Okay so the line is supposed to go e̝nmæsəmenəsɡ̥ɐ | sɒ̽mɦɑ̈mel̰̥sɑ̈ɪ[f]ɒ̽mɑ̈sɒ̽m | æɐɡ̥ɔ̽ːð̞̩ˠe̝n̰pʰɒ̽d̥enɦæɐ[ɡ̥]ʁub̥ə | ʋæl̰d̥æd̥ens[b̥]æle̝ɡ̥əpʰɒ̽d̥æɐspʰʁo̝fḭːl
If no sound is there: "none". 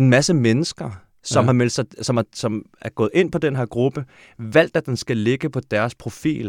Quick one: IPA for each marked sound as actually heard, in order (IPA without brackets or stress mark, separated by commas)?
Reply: s, ɡ̥, ɡ̥